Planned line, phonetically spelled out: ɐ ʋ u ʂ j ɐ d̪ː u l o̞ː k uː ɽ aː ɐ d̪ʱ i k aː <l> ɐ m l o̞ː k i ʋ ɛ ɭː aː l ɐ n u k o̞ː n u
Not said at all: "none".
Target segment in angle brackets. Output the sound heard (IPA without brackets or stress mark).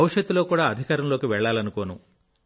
ɾ